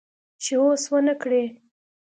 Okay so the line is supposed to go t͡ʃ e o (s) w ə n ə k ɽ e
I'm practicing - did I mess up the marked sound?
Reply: no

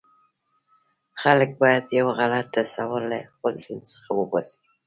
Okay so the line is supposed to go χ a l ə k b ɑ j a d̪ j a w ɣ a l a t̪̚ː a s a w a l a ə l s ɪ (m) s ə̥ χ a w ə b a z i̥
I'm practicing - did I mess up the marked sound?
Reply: yes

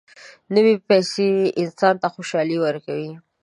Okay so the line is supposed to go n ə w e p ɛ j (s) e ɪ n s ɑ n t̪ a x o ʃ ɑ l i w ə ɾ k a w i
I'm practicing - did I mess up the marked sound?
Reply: no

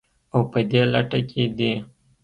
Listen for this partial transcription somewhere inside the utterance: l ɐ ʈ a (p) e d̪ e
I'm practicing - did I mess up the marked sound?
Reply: yes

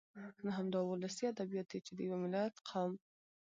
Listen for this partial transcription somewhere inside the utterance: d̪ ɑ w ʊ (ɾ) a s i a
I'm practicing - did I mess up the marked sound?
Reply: yes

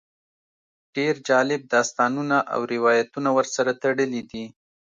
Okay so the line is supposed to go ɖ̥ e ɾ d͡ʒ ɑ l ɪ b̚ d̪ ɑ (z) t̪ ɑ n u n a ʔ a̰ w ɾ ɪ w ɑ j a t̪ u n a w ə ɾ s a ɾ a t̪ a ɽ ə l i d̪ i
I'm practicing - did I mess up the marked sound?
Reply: yes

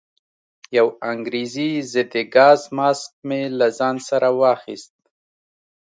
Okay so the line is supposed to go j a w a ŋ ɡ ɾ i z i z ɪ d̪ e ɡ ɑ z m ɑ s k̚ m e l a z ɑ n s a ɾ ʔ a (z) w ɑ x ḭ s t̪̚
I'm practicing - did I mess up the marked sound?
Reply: yes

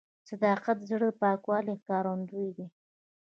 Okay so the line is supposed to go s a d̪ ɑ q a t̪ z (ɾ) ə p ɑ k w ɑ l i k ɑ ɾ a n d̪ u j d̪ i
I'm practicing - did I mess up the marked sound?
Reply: yes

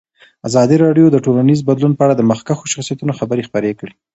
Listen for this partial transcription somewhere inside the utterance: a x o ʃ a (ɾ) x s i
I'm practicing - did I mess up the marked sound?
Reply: yes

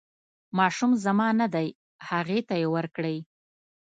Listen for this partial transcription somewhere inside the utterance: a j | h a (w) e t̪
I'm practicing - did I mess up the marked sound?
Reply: yes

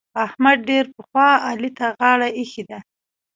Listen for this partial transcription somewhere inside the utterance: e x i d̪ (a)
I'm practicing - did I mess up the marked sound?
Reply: no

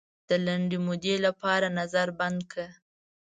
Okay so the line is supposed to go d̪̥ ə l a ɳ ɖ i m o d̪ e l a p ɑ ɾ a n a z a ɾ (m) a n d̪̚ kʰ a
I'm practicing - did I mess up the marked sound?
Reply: yes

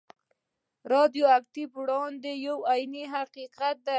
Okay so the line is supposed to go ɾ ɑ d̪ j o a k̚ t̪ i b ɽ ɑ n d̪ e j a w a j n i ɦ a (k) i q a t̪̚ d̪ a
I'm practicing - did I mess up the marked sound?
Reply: yes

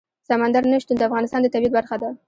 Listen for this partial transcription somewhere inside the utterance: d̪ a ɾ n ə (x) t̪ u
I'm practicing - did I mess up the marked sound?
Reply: yes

